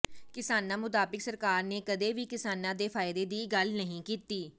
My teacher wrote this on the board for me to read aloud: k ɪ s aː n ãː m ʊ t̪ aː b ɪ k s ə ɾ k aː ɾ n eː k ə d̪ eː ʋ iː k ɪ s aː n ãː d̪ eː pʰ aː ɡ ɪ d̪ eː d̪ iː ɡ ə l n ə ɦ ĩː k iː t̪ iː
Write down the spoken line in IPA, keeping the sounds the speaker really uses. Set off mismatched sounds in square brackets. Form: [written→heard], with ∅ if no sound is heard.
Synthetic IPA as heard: k ɪ s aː n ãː m ʊ t̪ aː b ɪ k s ə ɾ k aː ɾ n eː k ə d̪ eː ʋ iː k ɪ s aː n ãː d̪ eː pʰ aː [ɡ→∅] ɪ d̪ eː d̪ iː ɡ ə l n ə ɦ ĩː k iː t̪ iː